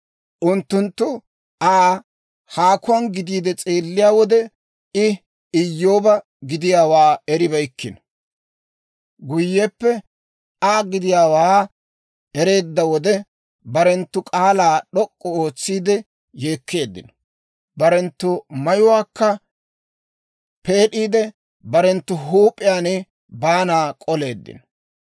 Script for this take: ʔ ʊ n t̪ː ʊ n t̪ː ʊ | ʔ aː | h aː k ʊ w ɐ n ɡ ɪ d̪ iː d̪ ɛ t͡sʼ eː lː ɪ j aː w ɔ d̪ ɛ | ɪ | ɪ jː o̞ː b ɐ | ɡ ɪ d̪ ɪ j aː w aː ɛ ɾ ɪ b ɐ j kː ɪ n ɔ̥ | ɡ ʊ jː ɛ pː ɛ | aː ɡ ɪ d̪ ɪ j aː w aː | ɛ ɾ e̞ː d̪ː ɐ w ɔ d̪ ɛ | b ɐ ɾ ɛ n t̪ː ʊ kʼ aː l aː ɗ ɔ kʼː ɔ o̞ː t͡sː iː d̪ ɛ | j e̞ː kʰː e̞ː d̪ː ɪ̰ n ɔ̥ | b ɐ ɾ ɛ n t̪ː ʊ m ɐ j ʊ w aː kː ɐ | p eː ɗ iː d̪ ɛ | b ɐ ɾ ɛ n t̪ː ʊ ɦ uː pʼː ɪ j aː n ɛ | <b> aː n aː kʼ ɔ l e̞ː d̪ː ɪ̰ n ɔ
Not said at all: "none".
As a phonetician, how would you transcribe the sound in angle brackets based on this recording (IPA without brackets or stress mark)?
b